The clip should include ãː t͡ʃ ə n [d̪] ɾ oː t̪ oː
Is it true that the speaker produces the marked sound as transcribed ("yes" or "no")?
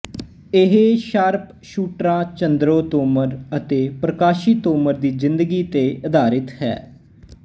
yes